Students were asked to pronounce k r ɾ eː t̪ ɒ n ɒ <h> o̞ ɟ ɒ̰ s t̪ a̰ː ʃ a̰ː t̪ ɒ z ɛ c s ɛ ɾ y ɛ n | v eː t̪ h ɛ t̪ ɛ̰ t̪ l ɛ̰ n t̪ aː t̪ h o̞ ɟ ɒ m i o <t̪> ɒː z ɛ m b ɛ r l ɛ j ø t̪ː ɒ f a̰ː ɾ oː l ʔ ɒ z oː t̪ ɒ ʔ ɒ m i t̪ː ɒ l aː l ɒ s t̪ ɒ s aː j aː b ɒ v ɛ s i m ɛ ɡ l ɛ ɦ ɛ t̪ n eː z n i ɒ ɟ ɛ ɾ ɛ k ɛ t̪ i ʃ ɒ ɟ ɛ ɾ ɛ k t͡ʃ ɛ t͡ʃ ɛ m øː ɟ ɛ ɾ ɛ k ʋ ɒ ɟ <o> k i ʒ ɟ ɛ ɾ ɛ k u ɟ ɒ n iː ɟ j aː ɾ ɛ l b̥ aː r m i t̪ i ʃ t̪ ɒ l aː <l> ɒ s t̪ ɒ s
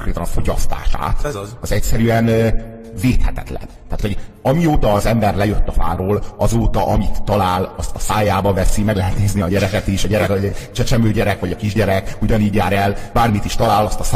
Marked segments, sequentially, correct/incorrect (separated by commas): incorrect, correct, incorrect, correct